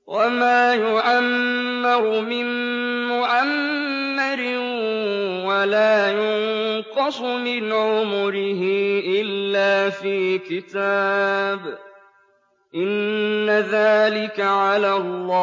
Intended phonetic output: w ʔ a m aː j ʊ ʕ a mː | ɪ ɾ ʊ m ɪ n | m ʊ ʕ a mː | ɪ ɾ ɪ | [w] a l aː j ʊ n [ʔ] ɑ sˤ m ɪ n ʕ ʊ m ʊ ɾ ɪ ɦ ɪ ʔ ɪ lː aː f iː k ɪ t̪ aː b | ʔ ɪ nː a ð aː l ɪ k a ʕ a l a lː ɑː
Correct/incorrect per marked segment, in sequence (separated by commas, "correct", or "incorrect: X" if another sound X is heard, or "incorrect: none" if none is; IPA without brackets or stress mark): correct, incorrect: q